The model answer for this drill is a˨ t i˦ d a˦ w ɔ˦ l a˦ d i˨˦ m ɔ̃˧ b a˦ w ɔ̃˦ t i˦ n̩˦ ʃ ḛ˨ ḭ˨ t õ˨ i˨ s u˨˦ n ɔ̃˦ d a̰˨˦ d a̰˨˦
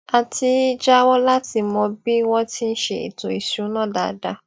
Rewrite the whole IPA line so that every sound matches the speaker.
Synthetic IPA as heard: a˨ t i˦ d͡ʒ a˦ w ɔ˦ l a˦ t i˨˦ m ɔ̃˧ b i˦ w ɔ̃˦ t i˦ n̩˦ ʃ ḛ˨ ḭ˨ t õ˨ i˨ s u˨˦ n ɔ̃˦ d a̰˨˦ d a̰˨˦